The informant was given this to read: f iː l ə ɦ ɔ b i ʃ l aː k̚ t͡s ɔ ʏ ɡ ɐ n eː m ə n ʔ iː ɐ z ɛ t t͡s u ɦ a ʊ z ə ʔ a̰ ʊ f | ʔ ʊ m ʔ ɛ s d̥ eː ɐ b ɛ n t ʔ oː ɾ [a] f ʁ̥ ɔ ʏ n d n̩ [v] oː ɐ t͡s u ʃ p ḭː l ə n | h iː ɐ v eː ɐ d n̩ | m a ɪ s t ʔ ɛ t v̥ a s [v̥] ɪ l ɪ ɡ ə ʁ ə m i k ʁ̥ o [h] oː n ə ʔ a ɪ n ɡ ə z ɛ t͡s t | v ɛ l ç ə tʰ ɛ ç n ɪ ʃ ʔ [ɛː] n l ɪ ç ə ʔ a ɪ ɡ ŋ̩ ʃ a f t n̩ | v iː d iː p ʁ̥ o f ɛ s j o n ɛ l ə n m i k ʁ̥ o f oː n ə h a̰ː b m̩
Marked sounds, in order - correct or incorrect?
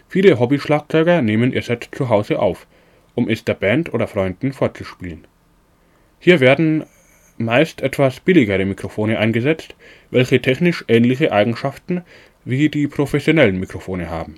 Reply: incorrect: ɐ, incorrect: f, incorrect: b̥, incorrect: f, correct

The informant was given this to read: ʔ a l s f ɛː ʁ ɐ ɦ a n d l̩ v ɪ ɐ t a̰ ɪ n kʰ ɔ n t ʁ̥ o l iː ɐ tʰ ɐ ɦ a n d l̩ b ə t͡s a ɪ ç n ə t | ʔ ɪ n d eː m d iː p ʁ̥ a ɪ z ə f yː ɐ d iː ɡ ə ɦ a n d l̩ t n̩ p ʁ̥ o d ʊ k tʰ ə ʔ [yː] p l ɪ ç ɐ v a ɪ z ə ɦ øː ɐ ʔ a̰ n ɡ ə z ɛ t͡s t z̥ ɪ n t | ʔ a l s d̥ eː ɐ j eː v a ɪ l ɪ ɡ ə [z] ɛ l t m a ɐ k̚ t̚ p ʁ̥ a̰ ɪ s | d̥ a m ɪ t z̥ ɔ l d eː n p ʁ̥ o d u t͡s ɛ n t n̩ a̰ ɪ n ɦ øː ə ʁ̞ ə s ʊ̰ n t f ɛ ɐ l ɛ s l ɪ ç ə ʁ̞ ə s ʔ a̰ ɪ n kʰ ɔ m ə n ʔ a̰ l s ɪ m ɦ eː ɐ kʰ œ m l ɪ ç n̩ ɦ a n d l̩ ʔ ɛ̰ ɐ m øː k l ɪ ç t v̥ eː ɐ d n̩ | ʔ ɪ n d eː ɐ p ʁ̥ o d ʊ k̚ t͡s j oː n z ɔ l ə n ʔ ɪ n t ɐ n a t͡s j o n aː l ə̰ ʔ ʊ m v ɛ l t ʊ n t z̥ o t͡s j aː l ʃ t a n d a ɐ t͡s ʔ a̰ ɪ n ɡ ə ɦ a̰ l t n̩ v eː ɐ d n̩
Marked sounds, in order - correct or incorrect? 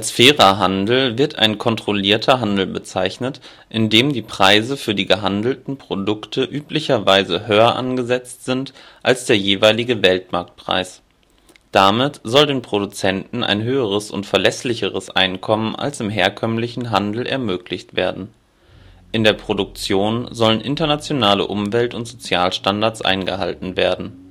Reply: correct, incorrect: v

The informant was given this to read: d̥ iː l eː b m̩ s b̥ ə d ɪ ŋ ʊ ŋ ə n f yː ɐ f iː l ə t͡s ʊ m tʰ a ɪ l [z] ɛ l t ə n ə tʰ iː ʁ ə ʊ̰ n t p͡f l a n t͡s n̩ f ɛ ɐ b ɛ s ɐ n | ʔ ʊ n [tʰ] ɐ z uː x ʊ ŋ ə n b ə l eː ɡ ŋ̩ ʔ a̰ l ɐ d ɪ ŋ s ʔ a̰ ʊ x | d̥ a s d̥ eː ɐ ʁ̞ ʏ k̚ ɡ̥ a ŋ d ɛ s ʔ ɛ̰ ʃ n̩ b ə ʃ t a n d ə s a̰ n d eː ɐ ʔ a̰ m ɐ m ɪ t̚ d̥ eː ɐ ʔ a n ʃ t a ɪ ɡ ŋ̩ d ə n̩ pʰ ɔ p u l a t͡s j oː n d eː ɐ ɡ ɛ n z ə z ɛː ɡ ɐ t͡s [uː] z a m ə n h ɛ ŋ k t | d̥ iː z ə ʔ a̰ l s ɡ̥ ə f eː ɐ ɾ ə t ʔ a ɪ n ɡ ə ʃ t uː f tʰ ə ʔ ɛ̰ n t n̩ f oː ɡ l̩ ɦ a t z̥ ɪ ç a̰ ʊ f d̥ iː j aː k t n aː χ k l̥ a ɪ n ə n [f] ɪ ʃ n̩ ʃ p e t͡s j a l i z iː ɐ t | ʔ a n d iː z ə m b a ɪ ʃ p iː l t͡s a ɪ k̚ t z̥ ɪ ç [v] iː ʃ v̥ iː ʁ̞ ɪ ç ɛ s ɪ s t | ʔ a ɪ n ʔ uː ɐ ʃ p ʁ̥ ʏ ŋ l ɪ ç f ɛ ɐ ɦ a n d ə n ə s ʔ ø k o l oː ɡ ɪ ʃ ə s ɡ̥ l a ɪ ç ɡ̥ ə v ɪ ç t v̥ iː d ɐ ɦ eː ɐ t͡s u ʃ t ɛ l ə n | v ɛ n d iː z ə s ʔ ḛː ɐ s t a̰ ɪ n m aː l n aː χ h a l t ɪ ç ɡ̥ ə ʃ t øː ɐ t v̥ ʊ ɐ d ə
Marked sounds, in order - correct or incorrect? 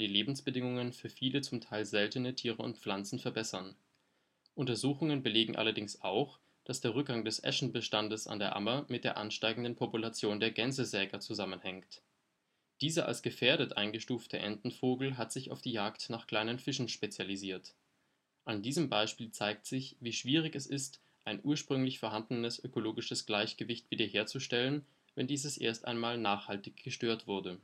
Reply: correct, incorrect: t, incorrect: u, correct, correct

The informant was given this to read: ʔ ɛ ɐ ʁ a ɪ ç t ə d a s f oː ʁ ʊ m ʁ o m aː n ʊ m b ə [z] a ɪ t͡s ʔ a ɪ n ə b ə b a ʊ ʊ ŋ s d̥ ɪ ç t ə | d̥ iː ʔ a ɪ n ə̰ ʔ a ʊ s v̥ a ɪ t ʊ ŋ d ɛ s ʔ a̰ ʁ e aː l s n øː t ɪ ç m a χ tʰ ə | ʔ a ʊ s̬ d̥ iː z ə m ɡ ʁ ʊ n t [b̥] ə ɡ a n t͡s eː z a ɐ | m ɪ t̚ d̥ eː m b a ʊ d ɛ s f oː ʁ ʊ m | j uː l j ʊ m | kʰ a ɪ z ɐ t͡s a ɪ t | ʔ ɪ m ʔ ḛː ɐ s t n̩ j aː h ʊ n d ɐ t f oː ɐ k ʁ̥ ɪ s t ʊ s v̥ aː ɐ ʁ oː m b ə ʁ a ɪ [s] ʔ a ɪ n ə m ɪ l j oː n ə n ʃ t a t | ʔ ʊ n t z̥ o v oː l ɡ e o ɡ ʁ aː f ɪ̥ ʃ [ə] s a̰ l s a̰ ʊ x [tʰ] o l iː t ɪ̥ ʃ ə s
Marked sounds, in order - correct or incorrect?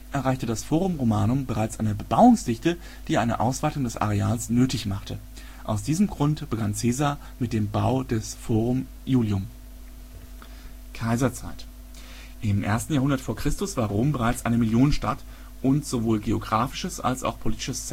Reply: incorrect: ʁ, correct, incorrect: t͡s, correct, incorrect: pʰ

